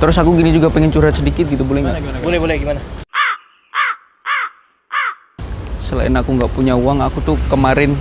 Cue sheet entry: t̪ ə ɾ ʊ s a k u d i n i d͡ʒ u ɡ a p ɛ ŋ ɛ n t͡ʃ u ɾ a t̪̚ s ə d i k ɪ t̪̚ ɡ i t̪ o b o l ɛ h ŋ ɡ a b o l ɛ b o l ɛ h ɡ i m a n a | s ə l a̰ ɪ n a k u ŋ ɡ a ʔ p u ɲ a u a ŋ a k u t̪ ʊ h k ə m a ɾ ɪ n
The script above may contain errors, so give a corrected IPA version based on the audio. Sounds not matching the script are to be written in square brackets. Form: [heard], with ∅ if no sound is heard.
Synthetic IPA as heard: t̪ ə ɾ ʊ s a k u [ɡ] i n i d͡ʒ u ɡ a p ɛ ŋ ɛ n t͡ʃ u ɾ a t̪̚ s ə d i k ɪ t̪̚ ɡ i t̪ [u] b o l ɛ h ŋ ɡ a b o l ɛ b o l ɛ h ɡ i m a n a | s ə l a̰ ɪ n a k u ŋ ɡ a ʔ p u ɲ a u a ŋ a k u t̪ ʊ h k ə m a ɾ ɪ n